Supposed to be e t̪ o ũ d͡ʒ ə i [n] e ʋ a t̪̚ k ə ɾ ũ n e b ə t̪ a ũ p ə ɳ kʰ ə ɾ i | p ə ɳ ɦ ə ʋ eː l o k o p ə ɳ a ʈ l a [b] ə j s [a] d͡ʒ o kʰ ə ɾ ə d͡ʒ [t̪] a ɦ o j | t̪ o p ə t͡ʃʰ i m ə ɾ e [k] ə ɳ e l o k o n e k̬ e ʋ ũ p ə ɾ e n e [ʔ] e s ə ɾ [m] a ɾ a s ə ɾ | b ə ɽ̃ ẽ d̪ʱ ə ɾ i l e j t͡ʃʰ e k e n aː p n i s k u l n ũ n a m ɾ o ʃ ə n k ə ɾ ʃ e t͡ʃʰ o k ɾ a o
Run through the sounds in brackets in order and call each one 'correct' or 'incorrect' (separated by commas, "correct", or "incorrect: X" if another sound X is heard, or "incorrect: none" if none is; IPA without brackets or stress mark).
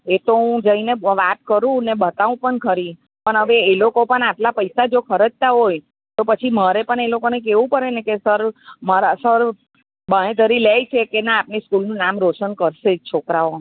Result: correct, incorrect: p, correct, correct, incorrect: p, incorrect: k, correct